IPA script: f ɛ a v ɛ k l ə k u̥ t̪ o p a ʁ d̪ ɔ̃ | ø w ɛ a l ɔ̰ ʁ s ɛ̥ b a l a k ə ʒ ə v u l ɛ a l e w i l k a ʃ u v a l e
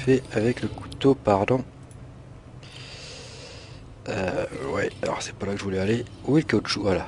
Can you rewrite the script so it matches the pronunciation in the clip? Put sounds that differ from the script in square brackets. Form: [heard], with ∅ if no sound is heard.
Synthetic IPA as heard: f ɛ a v ɛ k l ə k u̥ t̪ o p a ʁ d̪ ɔ̃ | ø w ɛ a l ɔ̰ ʁ s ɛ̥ [p] a l a k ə ʒ ə v u l ɛ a l e w i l k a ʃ u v a l [a]